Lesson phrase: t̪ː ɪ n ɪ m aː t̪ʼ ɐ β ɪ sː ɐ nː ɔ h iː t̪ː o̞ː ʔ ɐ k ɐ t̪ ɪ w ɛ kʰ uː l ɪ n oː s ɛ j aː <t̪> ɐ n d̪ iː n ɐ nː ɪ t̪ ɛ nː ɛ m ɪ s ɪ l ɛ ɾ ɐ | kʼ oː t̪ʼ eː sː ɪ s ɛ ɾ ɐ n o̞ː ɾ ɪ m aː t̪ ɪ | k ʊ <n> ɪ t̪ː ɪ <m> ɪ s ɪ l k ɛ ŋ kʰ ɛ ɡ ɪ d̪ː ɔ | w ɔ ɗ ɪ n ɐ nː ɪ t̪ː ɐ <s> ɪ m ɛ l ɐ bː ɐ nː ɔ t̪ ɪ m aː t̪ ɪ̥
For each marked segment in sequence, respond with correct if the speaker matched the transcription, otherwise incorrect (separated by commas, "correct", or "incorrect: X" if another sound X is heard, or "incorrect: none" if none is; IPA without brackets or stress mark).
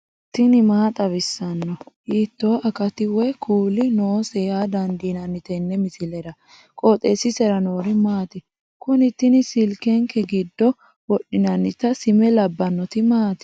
incorrect: d̪, correct, incorrect: n, correct